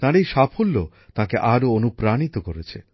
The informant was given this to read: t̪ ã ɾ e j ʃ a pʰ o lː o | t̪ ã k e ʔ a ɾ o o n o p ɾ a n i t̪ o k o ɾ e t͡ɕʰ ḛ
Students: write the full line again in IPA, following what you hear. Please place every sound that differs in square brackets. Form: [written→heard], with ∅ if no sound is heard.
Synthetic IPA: t̪ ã ɾ e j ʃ a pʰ o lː o | t̪ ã k e ʔ a ɾ o o n [o→u] p ɾ a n i t̪ o k o ɾ e t͡ɕʰ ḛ